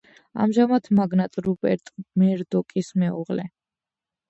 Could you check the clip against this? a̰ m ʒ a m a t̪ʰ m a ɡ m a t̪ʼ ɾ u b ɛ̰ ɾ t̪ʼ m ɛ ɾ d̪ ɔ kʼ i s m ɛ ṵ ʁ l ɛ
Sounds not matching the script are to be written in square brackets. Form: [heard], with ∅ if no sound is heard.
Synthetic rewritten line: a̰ m ʒ a m a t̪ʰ m a ɡ [n] a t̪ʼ ɾ u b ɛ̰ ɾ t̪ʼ m ɛ ɾ d̪ ɔ kʼ i s m ɛ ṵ ʁ l ɛ